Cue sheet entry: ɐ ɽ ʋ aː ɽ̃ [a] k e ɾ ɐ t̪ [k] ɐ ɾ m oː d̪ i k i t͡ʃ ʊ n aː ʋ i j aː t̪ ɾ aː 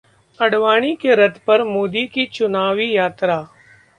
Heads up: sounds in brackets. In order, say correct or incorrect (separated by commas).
incorrect, incorrect